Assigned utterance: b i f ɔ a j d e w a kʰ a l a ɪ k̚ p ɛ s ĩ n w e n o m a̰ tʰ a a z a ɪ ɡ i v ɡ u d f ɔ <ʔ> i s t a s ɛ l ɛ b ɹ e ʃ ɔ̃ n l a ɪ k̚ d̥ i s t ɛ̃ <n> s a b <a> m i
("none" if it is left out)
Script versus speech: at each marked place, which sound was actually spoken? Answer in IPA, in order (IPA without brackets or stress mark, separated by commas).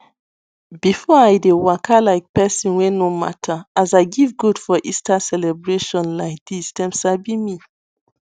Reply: ʔ, m, i